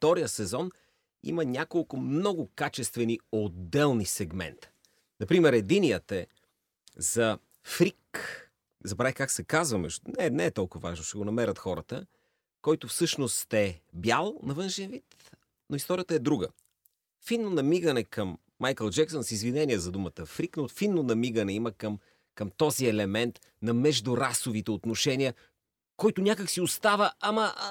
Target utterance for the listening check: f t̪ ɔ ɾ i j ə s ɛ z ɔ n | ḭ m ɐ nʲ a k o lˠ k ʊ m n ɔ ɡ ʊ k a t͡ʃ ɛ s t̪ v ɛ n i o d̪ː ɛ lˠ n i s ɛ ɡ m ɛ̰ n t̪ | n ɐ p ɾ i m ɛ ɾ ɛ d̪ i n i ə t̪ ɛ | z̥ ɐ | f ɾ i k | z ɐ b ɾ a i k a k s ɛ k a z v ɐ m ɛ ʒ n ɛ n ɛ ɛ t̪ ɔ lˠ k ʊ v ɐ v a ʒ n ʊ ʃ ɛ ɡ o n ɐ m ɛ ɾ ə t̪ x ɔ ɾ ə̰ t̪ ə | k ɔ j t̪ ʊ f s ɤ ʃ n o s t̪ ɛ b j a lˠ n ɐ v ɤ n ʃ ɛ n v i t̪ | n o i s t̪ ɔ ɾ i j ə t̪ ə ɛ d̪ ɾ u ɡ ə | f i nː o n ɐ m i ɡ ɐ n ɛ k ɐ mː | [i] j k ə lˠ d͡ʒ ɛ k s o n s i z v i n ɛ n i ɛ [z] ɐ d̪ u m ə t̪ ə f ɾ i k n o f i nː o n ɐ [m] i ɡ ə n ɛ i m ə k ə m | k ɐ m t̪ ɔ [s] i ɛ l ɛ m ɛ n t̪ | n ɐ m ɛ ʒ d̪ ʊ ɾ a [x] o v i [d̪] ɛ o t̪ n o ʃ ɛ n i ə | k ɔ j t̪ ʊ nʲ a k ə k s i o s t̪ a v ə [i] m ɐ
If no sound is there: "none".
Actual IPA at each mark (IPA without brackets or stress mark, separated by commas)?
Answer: a, z, m, z, s, t̪, a